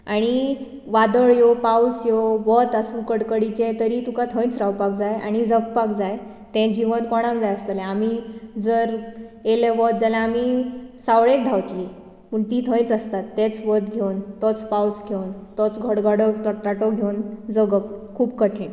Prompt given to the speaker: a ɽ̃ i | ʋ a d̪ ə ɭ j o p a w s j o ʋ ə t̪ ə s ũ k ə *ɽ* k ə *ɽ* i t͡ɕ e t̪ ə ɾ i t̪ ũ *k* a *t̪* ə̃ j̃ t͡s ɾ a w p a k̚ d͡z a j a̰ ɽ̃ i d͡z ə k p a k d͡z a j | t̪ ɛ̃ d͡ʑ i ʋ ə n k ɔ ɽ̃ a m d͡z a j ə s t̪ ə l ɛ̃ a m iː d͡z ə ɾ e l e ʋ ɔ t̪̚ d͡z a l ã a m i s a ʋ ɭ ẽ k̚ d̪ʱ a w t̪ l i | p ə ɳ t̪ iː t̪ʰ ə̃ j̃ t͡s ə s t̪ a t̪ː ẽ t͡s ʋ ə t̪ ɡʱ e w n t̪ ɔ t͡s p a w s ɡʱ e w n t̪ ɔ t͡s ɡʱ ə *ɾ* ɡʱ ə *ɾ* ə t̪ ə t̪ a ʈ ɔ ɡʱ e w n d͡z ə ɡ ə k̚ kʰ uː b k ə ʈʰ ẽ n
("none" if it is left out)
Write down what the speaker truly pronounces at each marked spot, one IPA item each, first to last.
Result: ɽ, ɽ, k, t̪ʰ, ɽ, ɽ

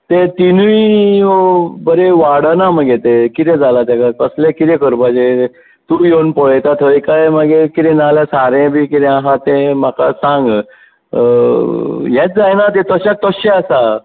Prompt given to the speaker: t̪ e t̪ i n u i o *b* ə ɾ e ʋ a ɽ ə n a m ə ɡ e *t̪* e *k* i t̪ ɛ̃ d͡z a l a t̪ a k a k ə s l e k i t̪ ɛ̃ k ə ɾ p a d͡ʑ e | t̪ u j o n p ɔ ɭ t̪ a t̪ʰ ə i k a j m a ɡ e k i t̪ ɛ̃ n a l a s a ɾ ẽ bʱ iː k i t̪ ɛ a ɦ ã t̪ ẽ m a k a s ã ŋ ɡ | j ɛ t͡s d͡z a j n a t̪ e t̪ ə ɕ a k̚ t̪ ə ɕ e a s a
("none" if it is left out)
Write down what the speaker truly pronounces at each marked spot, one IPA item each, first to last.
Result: b, t̪, k

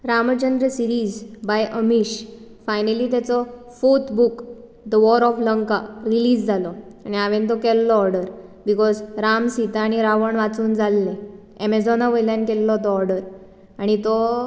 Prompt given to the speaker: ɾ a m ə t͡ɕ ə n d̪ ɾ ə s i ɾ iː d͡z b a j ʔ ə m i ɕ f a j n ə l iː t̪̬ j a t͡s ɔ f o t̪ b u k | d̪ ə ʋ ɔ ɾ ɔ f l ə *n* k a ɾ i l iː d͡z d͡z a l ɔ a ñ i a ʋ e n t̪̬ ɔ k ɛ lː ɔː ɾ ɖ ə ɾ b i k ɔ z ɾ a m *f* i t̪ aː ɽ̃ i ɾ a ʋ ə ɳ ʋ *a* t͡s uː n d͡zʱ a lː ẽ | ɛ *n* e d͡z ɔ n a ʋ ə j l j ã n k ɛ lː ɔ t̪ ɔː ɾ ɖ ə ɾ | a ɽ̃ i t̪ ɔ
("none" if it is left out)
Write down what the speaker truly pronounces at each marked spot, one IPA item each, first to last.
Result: ŋ, s, a, m

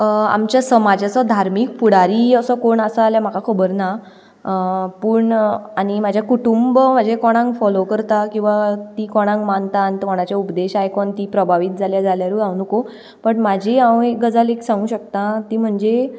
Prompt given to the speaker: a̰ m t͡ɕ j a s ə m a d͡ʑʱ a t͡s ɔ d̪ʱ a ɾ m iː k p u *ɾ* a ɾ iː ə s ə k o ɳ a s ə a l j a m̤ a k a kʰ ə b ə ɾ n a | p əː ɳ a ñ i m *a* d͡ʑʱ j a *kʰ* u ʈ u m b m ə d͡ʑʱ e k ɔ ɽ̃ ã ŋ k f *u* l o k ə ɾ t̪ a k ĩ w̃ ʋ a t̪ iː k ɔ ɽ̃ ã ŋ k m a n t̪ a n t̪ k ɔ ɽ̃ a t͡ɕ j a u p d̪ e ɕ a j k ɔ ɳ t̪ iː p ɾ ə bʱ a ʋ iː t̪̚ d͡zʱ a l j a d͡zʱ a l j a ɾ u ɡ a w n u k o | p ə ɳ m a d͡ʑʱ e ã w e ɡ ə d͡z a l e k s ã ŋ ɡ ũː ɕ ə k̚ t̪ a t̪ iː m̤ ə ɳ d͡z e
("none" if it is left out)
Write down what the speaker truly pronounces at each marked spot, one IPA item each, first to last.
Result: ɽ, a, k, ɔ

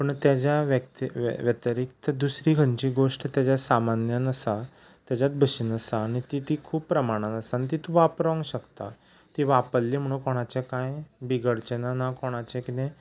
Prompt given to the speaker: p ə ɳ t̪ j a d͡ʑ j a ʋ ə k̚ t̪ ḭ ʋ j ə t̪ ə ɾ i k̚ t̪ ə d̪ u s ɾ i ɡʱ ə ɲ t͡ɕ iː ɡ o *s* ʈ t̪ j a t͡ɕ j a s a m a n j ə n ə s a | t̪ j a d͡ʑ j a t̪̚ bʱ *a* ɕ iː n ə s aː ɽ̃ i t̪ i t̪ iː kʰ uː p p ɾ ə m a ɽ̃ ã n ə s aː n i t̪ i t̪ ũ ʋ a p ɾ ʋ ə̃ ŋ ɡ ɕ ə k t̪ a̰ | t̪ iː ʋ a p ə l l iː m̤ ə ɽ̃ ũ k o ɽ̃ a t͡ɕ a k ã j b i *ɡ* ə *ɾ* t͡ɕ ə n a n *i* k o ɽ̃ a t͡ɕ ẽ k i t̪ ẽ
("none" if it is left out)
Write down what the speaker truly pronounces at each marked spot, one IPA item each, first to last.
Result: ʂ, ə, ɡ, ɽ, a

